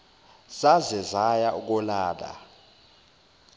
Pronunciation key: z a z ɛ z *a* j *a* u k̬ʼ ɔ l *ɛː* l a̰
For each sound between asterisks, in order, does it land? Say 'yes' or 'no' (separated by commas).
yes, yes, no